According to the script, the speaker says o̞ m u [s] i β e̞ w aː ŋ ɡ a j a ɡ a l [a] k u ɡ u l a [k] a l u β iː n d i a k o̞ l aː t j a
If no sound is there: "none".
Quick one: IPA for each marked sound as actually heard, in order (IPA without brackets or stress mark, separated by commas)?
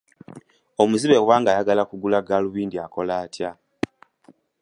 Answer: z, a, ɡ